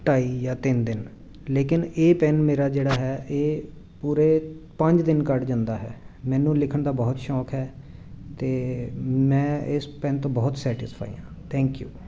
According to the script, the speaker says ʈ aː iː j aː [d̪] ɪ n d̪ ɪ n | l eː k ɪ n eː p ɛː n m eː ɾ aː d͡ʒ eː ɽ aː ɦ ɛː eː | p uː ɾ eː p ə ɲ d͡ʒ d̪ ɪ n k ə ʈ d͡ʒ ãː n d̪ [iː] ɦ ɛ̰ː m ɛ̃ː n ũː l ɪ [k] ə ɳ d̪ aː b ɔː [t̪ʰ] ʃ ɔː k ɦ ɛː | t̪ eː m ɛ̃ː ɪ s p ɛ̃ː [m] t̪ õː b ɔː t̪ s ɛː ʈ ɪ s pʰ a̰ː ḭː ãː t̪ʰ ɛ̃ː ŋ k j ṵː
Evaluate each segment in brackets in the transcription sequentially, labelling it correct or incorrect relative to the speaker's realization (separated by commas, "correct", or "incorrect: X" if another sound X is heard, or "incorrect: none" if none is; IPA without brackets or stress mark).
incorrect: t̪, incorrect: aː, incorrect: kʰ, incorrect: t̪, incorrect: n